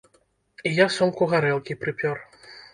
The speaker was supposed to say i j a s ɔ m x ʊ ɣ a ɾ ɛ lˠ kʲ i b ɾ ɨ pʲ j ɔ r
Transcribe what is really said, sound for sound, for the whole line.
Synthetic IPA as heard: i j a s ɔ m k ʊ ɣ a ɾ ɛ lˠ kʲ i p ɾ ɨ pʲ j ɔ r